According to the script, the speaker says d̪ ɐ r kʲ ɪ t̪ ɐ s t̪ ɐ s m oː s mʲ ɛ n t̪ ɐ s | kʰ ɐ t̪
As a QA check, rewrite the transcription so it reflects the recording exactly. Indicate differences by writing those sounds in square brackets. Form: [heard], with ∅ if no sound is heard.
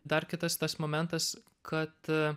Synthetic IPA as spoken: d̪ ɐ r kʲ ɪ t̪ ɐ s t̪ ɐ s m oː [∅] mʲ ɛ n t̪ ɐ s | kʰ ɐ t̪